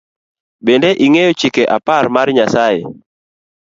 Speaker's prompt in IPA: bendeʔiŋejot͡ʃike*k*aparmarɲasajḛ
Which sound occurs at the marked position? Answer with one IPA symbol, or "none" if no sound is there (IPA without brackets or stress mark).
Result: ʔ